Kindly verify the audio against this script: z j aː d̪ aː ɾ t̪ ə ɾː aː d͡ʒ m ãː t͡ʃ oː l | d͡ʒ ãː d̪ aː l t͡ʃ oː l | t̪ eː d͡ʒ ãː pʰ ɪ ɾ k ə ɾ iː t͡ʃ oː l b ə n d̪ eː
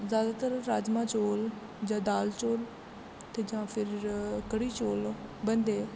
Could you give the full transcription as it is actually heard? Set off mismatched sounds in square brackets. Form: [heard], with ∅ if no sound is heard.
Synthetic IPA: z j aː d̪ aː [∅] t̪ ə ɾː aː d͡ʒ m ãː t͡ʃ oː l | d͡ʒ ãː d̪ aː l t͡ʃ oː l | t̪ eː d͡ʒ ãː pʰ ɪ ɾ k ə [ɽ] iː t͡ʃ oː l b ə n d̪ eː